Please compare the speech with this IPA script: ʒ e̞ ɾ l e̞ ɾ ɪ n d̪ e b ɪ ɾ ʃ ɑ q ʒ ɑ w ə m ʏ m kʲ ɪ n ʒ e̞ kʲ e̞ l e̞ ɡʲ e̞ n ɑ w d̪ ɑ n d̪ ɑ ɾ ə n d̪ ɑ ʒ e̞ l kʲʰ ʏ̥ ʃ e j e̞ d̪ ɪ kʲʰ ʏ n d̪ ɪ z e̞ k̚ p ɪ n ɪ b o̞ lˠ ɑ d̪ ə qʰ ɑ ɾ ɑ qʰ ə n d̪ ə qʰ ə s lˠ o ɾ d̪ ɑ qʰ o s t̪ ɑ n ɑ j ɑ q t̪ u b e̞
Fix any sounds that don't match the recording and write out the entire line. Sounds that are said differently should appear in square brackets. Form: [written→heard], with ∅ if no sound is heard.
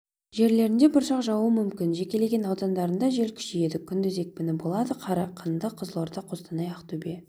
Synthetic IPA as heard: ʒ e̞ ɾ l e̞ ɾ ɪ n d̪ e b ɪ ɾ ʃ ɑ q ʒ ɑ w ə m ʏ m kʲ ɪ n ʒ e̞ kʲ e̞ l e̞ ɡʲ e̞ n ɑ w d̪ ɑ n d̪ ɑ ɾ ə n d̪ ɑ ʒ e̞ l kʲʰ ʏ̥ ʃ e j e̞ d̪ ɪ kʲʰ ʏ n d̪ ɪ z e̞ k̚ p ɪ n ɪ b o̞ lˠ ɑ d̪ ə qʰ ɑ ɾ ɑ qʰ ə n d̪ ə qʰ ə [s→z] lˠ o ɾ d̪ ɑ qʰ o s t̪ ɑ n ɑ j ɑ q t̪ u b e̞